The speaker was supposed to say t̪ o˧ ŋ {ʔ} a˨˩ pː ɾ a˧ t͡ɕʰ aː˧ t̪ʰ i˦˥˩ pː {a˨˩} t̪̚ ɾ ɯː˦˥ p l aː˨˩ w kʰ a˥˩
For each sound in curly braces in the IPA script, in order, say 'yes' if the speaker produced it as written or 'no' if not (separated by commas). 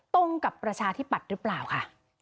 no, yes